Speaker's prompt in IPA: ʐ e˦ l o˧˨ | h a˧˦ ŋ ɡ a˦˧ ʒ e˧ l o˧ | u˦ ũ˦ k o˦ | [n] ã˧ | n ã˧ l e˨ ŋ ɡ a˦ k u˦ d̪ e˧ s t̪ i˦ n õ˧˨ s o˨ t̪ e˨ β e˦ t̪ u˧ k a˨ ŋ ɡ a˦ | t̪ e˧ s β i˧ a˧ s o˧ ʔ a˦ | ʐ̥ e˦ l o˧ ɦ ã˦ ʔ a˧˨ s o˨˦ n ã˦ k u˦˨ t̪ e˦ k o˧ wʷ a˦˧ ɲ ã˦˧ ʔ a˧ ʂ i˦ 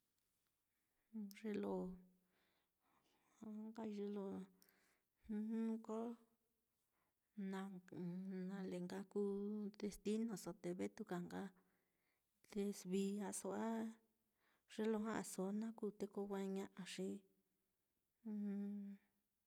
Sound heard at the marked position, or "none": n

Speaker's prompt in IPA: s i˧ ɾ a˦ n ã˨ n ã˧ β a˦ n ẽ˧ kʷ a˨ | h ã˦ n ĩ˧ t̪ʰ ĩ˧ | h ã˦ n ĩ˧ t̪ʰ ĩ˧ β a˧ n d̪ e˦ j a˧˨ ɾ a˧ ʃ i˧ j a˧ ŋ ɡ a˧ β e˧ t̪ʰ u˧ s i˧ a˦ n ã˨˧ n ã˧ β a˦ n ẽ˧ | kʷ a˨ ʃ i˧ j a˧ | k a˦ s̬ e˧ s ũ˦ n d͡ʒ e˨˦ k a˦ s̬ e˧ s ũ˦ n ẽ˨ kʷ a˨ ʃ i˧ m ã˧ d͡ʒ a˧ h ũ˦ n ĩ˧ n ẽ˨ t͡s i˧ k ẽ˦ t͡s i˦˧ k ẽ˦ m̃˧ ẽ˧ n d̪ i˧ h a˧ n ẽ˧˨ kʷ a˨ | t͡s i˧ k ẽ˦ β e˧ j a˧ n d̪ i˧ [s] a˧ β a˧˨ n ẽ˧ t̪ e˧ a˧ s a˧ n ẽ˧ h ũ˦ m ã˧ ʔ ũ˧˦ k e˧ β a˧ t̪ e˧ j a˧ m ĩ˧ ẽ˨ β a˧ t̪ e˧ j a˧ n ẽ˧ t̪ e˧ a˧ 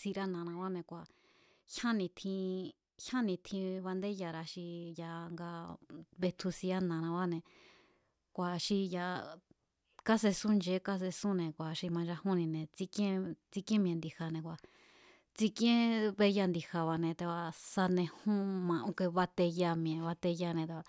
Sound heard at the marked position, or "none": h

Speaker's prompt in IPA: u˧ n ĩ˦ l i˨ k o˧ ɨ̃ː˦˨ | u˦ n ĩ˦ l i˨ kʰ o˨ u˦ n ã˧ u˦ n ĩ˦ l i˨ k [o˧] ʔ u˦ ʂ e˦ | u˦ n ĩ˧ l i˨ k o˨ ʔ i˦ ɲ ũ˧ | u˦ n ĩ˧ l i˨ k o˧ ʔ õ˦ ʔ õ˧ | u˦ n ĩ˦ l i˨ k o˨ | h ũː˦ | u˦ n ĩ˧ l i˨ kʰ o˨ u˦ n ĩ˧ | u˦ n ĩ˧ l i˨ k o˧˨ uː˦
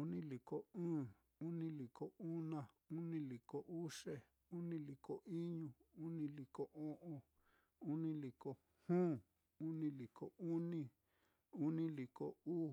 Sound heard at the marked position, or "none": o˧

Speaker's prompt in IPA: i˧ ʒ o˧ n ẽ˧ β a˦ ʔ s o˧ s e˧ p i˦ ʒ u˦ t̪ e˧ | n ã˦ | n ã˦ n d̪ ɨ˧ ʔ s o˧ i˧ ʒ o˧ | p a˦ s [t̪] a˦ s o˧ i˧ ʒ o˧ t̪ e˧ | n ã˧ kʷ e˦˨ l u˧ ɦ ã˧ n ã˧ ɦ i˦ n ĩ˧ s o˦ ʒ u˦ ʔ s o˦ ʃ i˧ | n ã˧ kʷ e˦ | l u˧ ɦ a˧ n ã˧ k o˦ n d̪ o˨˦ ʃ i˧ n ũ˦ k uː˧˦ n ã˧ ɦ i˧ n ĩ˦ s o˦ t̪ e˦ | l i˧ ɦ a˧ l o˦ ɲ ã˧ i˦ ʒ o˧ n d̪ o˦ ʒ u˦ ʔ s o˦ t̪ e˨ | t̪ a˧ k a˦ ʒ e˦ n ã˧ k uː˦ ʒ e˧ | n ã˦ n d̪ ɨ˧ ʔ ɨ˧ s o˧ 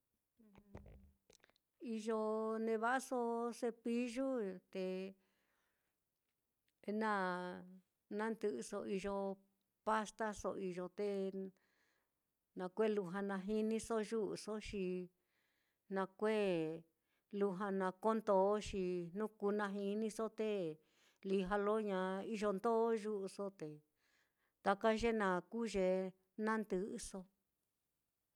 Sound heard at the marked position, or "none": t̪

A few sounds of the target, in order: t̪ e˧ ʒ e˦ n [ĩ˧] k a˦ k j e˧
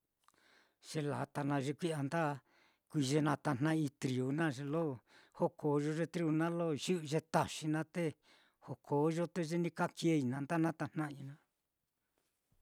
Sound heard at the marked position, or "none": ĩ˧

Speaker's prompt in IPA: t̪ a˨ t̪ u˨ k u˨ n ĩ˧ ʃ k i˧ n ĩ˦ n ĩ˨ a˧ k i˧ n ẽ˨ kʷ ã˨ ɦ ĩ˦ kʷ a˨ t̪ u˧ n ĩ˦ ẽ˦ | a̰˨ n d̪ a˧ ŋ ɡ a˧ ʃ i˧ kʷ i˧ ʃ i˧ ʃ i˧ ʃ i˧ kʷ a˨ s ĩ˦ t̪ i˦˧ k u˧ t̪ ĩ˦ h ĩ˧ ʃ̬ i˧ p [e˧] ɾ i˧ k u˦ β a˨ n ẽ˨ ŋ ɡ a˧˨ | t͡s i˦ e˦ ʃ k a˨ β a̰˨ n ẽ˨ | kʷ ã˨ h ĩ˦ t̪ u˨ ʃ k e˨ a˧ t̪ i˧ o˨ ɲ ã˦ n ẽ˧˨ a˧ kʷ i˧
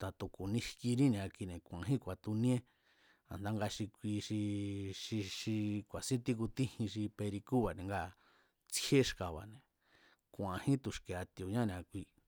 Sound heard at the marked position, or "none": e˧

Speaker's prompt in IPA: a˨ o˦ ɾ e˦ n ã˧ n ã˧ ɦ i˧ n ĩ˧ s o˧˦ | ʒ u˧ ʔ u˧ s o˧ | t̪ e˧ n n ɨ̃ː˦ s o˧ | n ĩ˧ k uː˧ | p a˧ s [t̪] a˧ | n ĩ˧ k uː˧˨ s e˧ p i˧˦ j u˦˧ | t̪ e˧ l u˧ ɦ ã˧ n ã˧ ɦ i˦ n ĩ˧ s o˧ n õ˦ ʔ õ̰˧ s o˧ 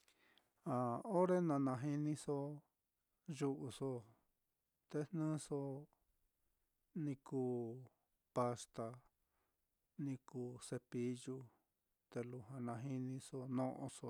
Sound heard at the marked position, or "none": t̪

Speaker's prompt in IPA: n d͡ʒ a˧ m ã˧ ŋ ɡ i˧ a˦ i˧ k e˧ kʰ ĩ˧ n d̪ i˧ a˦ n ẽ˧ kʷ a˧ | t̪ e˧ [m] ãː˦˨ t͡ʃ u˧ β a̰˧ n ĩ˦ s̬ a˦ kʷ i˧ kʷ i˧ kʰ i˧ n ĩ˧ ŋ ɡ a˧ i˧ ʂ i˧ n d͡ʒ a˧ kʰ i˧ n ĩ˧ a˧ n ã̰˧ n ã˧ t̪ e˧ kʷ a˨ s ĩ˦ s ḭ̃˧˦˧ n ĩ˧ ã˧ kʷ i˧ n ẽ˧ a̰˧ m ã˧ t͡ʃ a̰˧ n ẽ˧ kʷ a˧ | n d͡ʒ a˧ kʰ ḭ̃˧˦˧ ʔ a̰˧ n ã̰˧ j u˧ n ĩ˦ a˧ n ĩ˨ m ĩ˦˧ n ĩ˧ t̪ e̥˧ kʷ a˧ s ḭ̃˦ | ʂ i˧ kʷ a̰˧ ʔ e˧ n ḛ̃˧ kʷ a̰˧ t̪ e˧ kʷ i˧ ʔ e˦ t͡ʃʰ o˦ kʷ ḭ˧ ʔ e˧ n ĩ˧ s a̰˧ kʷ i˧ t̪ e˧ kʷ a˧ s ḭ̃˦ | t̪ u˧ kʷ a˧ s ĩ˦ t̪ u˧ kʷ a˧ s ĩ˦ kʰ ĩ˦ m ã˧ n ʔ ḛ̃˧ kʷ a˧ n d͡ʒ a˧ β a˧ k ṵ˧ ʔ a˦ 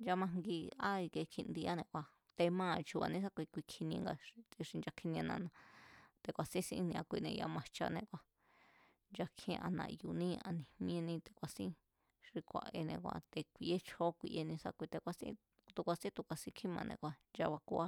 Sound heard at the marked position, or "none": m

